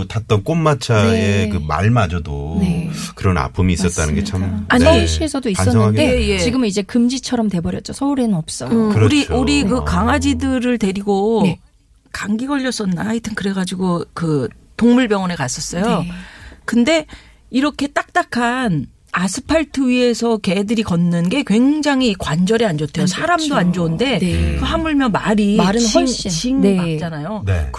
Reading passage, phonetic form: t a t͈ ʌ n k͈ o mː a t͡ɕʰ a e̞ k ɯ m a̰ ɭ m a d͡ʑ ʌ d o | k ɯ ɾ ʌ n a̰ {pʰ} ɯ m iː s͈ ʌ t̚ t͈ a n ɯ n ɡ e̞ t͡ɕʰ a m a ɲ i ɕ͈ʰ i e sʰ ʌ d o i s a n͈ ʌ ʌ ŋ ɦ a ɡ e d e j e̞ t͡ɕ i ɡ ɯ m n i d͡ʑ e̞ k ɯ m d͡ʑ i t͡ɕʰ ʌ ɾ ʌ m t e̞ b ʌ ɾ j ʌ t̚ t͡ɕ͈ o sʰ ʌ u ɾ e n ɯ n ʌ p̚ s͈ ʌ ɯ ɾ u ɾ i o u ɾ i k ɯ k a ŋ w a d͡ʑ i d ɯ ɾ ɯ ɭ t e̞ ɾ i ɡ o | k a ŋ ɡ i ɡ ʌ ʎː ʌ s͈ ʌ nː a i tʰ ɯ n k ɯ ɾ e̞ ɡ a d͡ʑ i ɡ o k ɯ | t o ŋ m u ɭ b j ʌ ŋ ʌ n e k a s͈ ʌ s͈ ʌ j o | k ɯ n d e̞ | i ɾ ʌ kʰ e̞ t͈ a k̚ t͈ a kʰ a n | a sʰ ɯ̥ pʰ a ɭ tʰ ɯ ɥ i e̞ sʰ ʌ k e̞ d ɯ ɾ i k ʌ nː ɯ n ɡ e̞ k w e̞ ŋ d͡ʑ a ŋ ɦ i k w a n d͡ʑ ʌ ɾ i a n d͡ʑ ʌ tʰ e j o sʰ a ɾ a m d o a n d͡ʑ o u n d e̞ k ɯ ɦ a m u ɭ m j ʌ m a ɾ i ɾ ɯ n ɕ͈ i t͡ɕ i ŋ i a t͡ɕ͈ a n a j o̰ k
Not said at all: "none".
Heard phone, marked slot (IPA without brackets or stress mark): pʰ